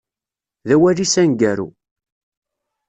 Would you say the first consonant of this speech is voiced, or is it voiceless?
voiced